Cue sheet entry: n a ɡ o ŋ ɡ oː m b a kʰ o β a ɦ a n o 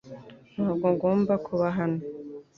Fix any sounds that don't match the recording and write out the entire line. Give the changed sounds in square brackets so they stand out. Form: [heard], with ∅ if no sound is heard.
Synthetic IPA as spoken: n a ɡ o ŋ ɡ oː m b a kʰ [u] β a ɦ a n o